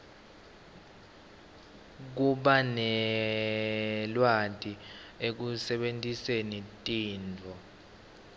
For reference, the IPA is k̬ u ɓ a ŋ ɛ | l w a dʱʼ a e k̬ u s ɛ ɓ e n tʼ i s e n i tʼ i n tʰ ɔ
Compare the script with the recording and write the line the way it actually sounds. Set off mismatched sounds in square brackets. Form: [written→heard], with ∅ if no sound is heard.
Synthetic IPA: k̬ u ɓ a [ŋ→n] ɛ | l w a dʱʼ [a→i] e k̬ u s ɛ ɓ e n tʼ i s e n i tʼ [i→iː] n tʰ ɔ